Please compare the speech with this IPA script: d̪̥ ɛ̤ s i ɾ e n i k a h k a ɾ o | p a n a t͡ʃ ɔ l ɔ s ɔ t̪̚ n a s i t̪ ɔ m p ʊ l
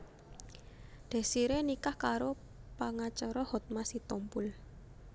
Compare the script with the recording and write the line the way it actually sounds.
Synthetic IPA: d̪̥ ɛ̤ s i ɾ e n i k a h k a ɾ o | p a ŋ a t͡ʃ ɔ ɾ ɔ h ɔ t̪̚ m a s i t̪ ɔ m p ʊ l